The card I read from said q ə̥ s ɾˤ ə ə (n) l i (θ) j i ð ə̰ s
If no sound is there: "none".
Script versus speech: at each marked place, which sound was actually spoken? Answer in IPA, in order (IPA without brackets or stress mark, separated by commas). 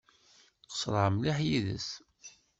m, ħ